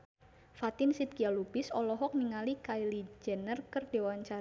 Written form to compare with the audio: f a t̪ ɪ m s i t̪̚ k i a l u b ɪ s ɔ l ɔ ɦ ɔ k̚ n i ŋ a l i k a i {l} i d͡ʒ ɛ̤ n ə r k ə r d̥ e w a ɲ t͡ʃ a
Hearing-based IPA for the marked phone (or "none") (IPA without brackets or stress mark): l